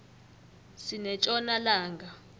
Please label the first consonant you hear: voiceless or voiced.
voiceless